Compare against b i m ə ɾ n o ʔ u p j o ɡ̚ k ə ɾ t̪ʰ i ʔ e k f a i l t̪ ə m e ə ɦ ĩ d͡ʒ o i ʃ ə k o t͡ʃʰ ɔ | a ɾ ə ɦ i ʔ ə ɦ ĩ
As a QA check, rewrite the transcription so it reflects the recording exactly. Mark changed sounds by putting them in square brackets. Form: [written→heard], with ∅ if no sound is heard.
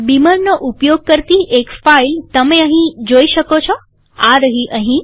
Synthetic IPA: b i m ə ɾ n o ʔ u p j o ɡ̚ k ə ɾ [t̪ʰ→t̪] i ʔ e k f a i l t̪ ə m e ə ɦ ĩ d͡ʒ o i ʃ ə k o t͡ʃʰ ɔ | a ɾ ə ɦ i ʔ ə ɦ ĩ

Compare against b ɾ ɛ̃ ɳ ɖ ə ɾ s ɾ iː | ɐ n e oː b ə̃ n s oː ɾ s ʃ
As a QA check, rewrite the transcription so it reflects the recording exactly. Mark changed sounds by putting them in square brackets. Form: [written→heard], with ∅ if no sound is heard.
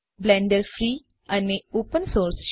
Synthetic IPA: b [ɾ→l] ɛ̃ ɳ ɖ ə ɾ [s→f] ɾ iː | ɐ n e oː [b→p] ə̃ n s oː ɾ s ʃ

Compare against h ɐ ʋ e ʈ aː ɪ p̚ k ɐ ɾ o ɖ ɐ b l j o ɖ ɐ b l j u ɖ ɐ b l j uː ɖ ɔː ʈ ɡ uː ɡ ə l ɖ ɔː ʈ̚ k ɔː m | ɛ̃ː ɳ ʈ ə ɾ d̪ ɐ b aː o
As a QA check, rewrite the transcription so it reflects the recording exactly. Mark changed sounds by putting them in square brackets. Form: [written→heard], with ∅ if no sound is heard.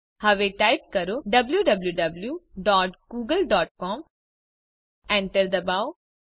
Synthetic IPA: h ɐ ʋ e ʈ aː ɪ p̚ k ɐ ɾ o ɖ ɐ b l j [o→u] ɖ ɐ b l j u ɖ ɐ b l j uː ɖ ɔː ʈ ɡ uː ɡ ə l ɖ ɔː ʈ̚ k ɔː m | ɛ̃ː ɳ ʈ ə ɾ d̪ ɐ b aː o

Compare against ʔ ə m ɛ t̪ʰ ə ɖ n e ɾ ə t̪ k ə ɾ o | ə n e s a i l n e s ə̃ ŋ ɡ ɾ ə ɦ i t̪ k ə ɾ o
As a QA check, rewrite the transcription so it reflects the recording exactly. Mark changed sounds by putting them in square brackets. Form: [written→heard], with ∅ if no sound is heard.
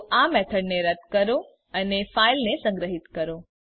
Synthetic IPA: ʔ [ə→a] m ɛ t̪ʰ ə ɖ n e ɾ ə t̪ k ə ɾ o | ə n e [s→f] a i l n e s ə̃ ŋ ɡ ɾ ə ɦ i t̪ k ə ɾ o

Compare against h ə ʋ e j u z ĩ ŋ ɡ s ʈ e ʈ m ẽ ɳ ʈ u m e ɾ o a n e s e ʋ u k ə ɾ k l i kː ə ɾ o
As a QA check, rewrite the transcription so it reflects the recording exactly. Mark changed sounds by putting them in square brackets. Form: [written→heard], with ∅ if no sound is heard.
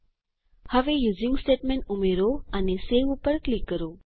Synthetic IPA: h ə ʋ e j u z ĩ ŋ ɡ s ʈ e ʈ m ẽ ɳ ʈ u m e ɾ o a n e s e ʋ u [k→p] ə ɾ k l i kː ə ɾ o

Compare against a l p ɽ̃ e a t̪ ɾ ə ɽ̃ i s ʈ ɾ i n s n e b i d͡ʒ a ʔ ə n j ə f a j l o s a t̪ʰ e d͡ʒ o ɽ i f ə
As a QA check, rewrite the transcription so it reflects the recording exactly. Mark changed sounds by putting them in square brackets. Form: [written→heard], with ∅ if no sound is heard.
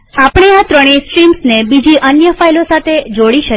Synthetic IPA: a [l→∅] p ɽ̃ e a t̪ ɾ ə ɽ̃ i s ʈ ɾ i [n→m] s n e b i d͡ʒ [a→i] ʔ ə n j ə f a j l o s a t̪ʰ e d͡ʒ o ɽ i [f→ʃ] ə

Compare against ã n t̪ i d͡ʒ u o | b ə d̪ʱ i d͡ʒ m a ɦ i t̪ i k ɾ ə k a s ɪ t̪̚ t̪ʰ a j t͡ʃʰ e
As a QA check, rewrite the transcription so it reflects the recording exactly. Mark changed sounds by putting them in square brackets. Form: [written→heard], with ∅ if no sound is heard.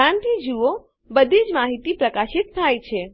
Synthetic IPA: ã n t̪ i d͡ʒ u o | b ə d̪ʱ i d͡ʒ m a ɦ i t̪ i [k→p] ɾ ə k a [s→ʃ] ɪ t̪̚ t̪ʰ a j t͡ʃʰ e

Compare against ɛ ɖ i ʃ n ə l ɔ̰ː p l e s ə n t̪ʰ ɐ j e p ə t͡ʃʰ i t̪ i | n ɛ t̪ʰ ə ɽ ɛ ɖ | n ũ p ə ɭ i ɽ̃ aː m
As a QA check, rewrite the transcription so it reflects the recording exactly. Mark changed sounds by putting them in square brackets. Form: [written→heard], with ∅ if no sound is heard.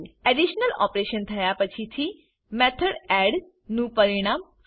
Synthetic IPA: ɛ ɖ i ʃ n ə l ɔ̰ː p [l→ɾ] e [s→ʃ] ə n t̪ʰ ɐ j [e→a] p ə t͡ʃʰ i [t̪→t̪ʰ] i | [n→m] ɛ t̪ʰ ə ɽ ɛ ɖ | n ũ p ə [ɭ→ɾ] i ɽ̃ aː m

